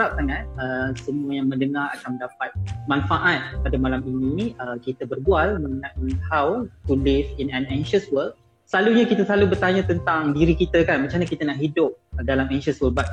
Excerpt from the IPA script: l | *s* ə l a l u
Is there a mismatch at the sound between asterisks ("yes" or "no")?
no